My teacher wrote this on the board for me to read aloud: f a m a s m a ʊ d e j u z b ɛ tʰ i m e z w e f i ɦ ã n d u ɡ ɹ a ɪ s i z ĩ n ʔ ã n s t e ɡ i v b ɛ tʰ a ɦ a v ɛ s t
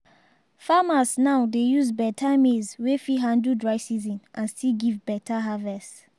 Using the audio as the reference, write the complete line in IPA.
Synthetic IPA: f a m a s n a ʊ d e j u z b ɛ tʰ a m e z w e f i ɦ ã n d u d ɹ a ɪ s i z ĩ n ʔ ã n s t i ɡ i v b ɛ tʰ a ɦ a v ɛ s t